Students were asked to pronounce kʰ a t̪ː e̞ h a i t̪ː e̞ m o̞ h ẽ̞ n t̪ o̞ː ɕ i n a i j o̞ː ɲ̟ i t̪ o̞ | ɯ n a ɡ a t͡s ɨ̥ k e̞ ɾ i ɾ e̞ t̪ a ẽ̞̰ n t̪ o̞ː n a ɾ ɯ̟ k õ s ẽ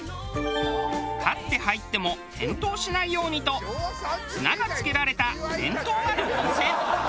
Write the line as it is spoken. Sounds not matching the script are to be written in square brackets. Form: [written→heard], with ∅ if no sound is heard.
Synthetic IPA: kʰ a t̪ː e̞ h a i t̪ː e̞ m o̞ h ẽ̞ n t̪ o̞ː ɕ i n a i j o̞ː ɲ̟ i t̪ o̞ | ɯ n a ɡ a t͡s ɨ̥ k e̞ ɾ [i→a] ɾ e̞ t̪ a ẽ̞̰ n t̪ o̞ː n a ɾ ɯ̟ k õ s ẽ